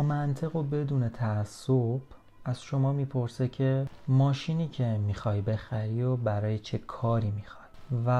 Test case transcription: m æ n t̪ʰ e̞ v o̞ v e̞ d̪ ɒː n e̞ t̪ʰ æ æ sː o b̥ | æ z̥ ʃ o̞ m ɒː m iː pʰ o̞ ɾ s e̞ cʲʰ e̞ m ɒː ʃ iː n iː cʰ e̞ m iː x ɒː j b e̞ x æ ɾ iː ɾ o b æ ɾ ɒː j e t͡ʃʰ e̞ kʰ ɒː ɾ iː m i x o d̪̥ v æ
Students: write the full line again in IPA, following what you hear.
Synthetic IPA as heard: m æ n t̪ʰ e̞ ɣ o̞ b e̞ d̪ uː n e̞ t̪ʰ æ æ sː o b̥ | æ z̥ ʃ o̞ m ɒː m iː pʰ o̞ ɾ s e̞ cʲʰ e̞ m ɒː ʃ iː n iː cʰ e̞ m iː x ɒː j b e̞ x æ ɾ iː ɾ o b æ ɾ ɒː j e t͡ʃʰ e̞ kʰ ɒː ɾ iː m i x ɒ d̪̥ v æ